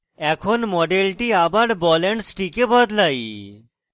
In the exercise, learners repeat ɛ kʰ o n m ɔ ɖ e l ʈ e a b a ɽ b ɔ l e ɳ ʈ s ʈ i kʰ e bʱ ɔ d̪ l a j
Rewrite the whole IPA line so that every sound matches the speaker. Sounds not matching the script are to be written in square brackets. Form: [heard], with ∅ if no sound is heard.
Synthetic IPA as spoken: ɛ kʰ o n m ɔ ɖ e l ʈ [i] a b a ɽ b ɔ l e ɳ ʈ s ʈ i [k] e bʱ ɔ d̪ l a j